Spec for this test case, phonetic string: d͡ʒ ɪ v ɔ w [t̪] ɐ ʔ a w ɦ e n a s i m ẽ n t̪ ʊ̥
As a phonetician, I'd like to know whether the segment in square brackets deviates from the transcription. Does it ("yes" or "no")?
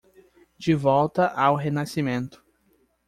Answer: no